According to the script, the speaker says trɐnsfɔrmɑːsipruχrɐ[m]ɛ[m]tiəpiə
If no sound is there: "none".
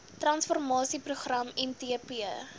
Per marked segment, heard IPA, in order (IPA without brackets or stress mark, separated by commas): m, m